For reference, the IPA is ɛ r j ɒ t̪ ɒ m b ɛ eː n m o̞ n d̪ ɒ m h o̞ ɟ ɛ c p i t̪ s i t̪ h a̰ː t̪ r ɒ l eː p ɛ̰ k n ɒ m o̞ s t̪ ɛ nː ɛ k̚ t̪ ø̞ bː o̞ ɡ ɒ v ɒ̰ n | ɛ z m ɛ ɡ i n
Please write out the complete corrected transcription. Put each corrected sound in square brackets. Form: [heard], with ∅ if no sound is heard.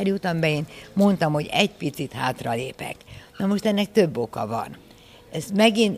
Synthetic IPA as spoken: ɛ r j [u] t̪ ɒ m b ɛ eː n m o̞ n [t̪] ɒ m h o̞ ɟ ɛ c p i t̪ s i t̪ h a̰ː t̪ r ɒ l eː p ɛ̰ k n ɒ m o̞ [ʃ] t̪ ɛ nː ɛ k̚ t̪ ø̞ bː o̞ [k] ɒ v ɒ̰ n | ɛ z m ɛ ɡ i n